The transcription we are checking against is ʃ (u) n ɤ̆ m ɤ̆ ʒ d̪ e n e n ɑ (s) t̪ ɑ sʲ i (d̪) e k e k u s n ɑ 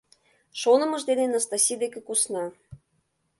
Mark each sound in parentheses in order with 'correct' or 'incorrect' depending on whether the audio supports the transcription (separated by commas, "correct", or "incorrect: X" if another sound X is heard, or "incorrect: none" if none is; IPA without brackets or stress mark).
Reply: incorrect: o, correct, correct